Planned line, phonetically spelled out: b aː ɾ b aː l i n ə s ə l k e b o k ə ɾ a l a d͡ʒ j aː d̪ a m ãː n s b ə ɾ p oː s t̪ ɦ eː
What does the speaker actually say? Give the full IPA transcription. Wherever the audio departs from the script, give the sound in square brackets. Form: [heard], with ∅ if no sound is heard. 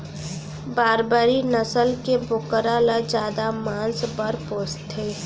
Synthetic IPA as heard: b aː ɾ b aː [ɾ] i n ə s ə l k e b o k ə ɾ a l a d͡ʒ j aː d̪ a m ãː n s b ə ɾ p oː s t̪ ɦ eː